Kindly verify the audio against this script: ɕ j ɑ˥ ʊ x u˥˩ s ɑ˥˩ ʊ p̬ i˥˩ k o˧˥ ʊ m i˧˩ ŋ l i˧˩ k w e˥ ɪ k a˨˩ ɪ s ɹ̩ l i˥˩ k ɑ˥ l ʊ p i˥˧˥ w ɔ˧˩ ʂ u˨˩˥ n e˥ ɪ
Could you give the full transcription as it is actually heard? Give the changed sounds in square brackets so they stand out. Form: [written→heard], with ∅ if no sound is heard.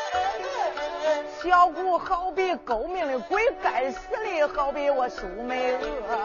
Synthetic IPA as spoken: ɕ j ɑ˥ ʊ [x→k] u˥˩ [s→x] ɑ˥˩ ʊ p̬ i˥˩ k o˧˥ ʊ m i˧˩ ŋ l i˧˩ k w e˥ ɪ k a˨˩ ɪ s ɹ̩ l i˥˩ [k→x] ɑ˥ [l→∅] ʊ p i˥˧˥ w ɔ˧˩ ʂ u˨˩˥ [n→m] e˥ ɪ